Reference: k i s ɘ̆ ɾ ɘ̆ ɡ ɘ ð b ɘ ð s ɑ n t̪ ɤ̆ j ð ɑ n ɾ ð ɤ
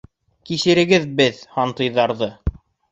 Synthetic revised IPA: k i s ɘ̆ ɾ ɘ̆ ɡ ɘ ð b ɘ ð h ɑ n t̪ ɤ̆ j ð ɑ ɾ ð ɤ